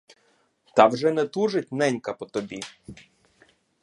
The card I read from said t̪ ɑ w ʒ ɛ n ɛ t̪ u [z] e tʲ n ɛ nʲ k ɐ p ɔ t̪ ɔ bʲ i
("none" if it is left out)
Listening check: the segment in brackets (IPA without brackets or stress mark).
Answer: ʒ